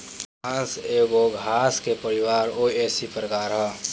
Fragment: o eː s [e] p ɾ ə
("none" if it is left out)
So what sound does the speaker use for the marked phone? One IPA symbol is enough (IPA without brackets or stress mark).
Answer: i